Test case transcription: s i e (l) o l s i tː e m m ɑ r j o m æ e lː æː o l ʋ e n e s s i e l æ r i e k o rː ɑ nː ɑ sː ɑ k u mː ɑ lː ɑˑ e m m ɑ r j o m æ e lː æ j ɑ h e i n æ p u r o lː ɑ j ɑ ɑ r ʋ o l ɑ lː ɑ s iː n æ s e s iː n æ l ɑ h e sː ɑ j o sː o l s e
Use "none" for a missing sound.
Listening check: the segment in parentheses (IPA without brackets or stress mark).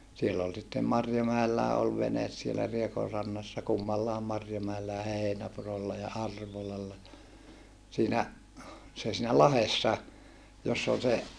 lː